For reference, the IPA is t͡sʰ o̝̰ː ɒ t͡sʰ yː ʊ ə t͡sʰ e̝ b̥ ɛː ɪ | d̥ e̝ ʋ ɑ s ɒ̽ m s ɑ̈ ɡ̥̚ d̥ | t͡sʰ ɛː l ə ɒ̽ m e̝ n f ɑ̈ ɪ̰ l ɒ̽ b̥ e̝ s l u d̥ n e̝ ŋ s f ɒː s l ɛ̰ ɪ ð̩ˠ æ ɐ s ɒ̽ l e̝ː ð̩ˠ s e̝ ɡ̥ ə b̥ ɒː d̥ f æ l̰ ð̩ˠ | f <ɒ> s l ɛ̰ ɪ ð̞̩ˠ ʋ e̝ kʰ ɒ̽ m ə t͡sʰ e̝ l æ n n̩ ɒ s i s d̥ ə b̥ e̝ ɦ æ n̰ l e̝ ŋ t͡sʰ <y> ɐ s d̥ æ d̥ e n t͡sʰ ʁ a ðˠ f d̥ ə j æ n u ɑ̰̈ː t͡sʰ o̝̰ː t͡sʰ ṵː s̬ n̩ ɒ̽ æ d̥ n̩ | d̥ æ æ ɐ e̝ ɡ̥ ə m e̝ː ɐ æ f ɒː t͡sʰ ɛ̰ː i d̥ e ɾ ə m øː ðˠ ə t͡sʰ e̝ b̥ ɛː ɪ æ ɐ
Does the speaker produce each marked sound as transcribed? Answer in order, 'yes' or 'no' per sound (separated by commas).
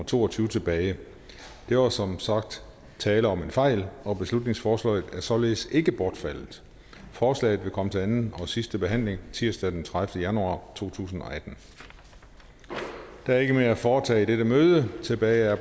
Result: no, no